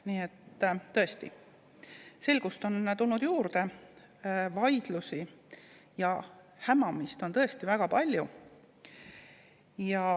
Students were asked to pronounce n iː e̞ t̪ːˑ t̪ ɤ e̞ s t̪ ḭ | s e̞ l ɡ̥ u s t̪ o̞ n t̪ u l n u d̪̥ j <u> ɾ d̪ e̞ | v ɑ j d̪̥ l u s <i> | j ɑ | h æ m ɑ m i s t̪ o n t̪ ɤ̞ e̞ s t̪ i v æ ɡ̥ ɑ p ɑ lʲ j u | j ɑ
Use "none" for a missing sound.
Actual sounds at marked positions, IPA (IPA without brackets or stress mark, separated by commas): uː, i